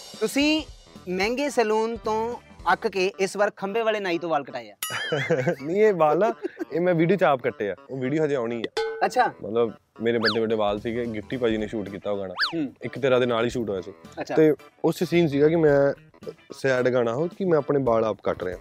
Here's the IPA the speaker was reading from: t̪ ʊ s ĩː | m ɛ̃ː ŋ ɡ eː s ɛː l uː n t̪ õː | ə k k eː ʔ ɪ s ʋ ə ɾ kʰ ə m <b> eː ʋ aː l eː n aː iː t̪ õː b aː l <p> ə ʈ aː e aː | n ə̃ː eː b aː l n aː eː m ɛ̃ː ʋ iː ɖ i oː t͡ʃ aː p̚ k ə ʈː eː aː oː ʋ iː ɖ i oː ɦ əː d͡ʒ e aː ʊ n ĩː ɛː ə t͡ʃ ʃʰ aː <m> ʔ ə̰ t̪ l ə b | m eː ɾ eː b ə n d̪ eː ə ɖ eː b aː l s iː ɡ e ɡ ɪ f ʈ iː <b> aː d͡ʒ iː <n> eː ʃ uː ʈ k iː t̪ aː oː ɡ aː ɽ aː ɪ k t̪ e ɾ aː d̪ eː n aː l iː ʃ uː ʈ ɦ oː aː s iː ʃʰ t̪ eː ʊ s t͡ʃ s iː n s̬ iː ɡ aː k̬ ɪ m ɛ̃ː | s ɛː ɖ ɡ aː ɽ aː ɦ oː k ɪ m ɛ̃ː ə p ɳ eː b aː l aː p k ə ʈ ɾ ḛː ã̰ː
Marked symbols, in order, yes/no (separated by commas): yes, no, yes, no, yes